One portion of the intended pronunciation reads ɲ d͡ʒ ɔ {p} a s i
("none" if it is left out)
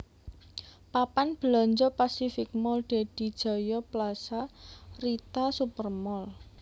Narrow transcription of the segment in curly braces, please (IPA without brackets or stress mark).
p